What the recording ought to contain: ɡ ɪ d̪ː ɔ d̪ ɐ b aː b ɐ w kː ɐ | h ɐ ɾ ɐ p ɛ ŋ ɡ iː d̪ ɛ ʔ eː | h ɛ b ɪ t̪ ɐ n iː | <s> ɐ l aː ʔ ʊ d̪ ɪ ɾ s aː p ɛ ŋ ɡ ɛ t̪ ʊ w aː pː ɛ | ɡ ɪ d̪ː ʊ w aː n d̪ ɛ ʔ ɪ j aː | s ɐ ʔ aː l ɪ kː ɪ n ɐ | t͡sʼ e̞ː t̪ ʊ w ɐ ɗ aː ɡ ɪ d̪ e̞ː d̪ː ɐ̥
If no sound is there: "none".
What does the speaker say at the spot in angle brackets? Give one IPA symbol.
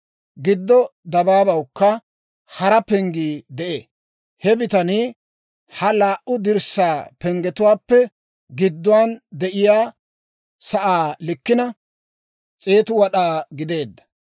h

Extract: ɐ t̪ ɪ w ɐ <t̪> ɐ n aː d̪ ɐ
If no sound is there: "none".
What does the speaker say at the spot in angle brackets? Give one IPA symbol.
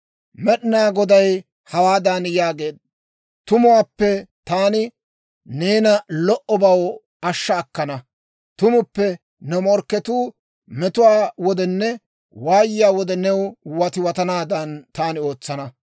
t̪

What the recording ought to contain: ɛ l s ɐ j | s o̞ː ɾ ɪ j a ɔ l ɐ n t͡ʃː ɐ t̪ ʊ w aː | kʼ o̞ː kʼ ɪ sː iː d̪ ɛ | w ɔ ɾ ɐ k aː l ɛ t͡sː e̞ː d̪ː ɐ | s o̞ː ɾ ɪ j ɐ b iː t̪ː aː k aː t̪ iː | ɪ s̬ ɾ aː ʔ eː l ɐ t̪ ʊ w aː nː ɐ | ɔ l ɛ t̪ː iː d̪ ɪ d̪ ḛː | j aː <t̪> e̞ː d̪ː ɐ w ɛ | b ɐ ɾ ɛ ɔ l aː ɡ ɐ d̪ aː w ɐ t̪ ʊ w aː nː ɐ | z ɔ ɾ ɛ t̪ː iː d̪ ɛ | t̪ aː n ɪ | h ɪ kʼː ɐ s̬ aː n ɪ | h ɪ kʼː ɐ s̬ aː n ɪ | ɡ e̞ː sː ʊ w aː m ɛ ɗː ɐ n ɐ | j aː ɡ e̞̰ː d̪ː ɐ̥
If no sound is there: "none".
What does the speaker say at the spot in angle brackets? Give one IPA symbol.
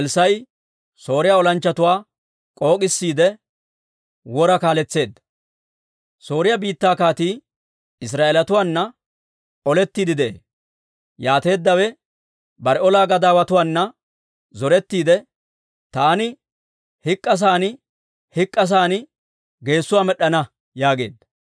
t̪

